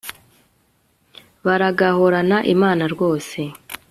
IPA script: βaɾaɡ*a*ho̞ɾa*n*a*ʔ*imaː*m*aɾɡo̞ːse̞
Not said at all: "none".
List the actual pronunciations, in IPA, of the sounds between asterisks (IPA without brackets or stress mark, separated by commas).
a, n, ʔ, n